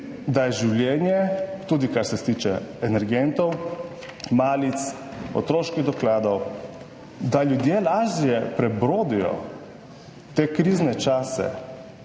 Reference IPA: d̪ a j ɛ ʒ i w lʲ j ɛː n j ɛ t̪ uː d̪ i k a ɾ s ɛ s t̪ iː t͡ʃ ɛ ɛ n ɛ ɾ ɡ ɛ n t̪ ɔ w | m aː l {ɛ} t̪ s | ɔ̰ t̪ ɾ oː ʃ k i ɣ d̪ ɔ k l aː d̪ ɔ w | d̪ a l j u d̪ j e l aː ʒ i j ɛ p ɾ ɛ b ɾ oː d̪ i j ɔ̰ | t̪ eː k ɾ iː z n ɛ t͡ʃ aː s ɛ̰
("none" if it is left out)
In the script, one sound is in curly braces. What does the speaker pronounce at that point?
i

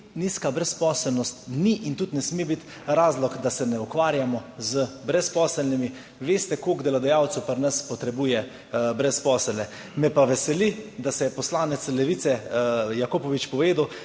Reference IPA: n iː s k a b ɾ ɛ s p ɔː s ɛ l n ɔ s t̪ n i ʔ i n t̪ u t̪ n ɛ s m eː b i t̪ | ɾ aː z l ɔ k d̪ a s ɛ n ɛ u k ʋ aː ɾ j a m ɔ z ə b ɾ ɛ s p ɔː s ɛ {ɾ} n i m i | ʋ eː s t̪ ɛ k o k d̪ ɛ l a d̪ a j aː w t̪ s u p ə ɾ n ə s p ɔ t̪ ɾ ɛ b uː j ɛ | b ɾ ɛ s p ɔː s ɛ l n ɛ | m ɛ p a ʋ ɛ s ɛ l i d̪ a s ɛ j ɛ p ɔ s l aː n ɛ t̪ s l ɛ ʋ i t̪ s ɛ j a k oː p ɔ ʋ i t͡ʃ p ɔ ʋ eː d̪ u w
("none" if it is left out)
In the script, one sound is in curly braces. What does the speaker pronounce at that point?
l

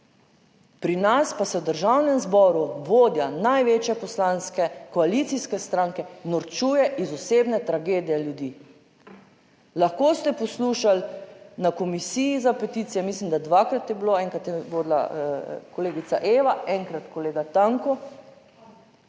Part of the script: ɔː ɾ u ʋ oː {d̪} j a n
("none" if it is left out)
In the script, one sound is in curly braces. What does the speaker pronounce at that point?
d̪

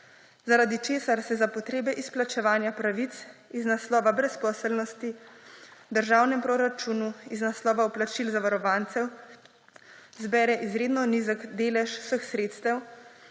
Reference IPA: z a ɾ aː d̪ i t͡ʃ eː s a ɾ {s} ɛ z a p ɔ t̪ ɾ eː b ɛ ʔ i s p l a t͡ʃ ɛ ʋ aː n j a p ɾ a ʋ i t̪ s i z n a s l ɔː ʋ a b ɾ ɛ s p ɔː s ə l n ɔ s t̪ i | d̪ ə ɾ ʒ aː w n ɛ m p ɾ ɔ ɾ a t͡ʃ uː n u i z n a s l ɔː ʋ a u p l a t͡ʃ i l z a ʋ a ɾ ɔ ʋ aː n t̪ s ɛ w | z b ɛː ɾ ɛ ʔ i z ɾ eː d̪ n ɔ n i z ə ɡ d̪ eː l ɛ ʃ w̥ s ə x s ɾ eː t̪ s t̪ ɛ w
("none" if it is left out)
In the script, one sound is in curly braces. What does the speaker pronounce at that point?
s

